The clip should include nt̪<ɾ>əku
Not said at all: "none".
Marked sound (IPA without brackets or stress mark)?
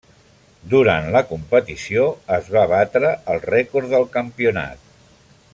l